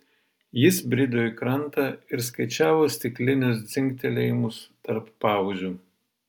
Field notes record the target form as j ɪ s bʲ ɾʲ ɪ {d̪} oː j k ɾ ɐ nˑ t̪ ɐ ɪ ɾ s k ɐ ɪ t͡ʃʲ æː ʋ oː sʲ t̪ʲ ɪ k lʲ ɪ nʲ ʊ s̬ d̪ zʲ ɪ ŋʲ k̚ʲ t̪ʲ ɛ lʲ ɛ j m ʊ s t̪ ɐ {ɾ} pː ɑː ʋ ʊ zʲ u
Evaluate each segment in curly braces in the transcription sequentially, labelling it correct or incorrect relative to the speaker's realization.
correct, correct

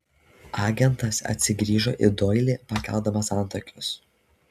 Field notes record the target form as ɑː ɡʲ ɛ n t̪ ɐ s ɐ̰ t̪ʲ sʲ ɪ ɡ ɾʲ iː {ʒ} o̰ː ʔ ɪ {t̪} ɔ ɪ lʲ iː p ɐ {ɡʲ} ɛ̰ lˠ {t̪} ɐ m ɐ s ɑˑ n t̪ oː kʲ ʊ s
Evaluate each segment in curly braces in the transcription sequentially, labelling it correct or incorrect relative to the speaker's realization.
correct, incorrect, incorrect, incorrect

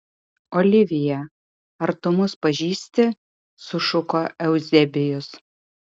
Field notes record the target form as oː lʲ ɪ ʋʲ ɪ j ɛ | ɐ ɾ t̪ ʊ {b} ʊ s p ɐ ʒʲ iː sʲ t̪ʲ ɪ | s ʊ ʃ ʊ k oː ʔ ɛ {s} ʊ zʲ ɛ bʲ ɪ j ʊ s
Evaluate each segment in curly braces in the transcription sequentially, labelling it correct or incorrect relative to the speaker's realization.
incorrect, incorrect

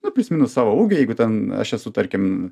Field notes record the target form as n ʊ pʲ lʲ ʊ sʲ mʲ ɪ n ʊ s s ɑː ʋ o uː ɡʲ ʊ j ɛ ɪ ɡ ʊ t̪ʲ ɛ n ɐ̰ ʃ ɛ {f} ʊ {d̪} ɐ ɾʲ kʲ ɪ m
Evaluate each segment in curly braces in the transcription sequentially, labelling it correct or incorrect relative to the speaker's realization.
incorrect, incorrect

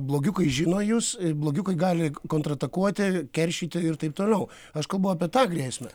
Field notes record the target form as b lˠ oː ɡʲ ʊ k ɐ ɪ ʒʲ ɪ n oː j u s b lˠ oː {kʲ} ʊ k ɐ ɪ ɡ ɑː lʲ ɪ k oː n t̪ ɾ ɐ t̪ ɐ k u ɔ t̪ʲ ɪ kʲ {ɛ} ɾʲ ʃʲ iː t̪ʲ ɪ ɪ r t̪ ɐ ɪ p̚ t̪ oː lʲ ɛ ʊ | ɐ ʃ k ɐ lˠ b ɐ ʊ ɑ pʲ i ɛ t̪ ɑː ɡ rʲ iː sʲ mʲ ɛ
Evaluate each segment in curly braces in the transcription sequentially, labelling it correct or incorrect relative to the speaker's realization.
incorrect, correct

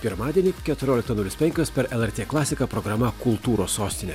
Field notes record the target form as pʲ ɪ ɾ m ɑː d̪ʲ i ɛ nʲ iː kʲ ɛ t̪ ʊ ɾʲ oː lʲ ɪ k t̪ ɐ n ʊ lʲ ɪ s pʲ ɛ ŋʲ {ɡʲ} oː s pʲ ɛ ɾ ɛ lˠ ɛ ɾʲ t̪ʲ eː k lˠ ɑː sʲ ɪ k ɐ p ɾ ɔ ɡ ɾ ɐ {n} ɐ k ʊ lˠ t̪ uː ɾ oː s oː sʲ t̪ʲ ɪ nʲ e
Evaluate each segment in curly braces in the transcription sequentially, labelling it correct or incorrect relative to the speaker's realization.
incorrect, incorrect

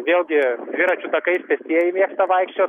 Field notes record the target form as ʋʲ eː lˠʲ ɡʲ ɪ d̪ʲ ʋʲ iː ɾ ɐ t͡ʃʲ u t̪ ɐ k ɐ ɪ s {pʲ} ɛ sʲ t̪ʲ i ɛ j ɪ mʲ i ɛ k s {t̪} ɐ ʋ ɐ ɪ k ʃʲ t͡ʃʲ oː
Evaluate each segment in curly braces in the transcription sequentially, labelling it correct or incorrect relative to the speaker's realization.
correct, correct

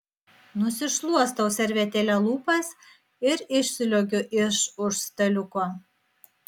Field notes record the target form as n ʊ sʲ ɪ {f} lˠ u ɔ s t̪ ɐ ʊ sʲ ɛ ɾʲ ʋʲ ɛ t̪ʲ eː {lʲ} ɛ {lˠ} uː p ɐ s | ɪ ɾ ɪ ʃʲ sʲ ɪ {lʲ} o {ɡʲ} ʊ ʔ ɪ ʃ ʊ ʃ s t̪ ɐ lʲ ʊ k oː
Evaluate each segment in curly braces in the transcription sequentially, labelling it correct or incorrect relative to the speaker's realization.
incorrect, correct, correct, correct, correct

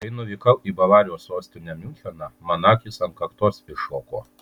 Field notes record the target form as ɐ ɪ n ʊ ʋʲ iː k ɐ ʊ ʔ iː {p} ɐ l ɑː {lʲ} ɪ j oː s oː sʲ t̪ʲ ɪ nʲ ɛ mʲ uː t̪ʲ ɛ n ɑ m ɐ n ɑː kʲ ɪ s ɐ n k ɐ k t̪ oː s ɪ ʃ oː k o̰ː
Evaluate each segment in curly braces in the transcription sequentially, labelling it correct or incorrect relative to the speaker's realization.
incorrect, incorrect

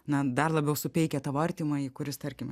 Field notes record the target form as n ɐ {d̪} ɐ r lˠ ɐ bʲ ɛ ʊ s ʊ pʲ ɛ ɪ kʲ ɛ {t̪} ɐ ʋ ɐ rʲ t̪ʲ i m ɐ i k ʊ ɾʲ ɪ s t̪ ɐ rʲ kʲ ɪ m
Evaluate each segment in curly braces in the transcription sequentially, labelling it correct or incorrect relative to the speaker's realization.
correct, correct

